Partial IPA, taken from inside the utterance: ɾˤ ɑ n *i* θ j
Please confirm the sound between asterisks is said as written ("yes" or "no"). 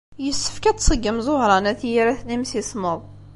no